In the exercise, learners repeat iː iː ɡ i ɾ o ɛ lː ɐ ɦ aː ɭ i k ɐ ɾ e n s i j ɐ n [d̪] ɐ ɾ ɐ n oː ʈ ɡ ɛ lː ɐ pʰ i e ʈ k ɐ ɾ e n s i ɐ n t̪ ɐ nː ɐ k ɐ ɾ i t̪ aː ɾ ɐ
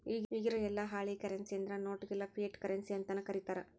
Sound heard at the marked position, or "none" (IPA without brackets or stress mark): d̪